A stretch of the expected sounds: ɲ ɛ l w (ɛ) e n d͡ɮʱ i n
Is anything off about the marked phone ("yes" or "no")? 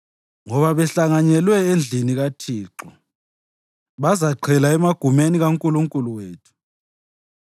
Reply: no